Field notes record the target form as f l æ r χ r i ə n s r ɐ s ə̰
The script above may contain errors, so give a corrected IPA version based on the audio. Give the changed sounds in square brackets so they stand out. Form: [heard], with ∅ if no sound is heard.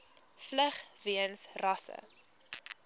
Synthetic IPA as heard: f l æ [∅] χ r i ə n s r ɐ s ə̰